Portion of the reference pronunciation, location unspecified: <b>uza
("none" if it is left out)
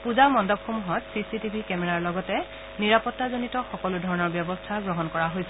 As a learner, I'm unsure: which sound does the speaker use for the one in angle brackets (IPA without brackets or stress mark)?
p